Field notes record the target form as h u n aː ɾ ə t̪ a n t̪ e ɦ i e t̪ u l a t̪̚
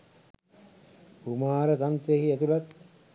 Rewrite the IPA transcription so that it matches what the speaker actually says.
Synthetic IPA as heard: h u m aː ɾ ə t̪ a n t̪ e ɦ i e t̪ u l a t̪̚